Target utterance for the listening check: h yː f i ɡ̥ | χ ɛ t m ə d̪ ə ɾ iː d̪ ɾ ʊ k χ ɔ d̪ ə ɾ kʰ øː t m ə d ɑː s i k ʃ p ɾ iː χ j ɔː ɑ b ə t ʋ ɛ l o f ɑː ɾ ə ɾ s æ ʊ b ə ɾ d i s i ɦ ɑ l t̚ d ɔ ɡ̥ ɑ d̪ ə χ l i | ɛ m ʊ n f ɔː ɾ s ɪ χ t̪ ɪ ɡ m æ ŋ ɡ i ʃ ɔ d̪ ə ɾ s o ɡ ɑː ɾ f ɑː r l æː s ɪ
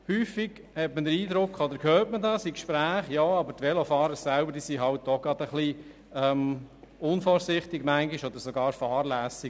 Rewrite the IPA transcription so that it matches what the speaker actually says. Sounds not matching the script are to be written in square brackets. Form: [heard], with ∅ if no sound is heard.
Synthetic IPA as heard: h yː f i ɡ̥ | [h] ɛ t m ə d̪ ə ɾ iː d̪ ɾ ʊ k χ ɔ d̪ ə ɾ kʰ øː t m ə d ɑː s i k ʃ p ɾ [æː] χ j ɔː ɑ b ə t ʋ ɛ l o f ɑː ɾ ə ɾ s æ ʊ b ə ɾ d i s i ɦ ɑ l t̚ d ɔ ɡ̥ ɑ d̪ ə χ l i | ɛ m ʊ n f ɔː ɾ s ɪ χ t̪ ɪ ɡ m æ ŋ ɡ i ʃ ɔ d̪ ə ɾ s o ɡ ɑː ɾ f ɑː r l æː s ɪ

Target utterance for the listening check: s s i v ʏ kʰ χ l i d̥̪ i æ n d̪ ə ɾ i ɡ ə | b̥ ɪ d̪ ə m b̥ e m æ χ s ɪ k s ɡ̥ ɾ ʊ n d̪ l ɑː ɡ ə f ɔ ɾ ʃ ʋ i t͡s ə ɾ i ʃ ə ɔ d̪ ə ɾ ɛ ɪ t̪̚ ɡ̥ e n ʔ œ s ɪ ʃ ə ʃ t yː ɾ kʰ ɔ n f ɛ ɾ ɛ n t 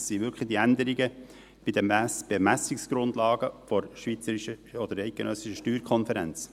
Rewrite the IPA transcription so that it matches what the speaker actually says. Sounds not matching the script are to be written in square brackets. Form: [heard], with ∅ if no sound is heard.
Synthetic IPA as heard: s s i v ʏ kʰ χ l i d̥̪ i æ n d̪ ə ɾ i ɡ ə | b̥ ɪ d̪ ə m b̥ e m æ [∅] s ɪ k s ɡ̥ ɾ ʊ n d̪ l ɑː ɡ ə f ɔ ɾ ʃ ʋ i t͡s ə ɾ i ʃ ə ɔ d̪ ə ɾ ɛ ɪ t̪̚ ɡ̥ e n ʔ œ s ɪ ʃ ə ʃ t yː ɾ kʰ ɔ n f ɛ ɾ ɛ n [t͡s]

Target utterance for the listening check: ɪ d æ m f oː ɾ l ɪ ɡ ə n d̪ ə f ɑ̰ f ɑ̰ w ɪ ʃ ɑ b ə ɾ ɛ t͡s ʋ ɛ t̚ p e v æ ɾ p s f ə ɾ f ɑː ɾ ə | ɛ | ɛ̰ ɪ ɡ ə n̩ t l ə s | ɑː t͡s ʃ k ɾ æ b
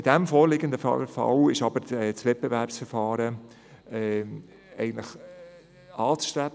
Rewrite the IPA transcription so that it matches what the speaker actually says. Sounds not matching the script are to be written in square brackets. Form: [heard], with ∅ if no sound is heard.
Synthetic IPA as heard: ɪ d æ m f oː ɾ l ɪ ɡ ə n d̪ ə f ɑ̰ f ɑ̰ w ɪ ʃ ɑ b ə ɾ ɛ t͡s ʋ ɛ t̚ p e v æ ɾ p s f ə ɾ f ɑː ɾ ə | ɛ | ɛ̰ ɪ ɡ ə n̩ t l ə [χ] | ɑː t͡s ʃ [t] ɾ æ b

